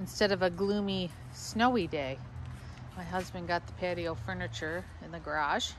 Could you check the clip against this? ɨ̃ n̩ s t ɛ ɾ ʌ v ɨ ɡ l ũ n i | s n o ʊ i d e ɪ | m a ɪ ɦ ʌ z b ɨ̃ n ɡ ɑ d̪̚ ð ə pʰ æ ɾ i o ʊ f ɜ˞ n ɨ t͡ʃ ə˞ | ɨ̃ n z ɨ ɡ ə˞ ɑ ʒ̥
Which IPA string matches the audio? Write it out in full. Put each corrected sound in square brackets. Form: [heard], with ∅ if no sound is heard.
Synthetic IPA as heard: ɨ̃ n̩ s t ɛ ɾ ʌ v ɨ ɡ l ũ [m] i | s n o ʊ i d e ɪ | m a ɪ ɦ ʌ z b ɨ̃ n ɡ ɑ [t̪̚] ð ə pʰ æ ɾ i o ʊ f ɜ˞ n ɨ t͡ʃ ə˞ | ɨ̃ n [ð] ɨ ɡ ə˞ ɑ ʒ̥